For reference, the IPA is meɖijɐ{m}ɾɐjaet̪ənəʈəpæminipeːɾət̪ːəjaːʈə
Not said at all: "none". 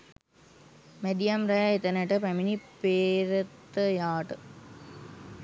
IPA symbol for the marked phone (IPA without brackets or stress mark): m